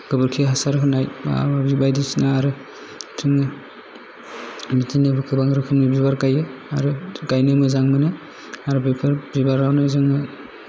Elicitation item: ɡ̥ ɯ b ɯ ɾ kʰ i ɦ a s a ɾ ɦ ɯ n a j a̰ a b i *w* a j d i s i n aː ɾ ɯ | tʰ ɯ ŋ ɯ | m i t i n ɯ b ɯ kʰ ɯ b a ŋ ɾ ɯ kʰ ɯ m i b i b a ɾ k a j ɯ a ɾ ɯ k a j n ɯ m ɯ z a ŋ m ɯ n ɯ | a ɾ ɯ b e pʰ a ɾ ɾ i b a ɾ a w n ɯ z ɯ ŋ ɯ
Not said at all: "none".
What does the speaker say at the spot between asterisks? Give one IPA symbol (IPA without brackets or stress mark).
b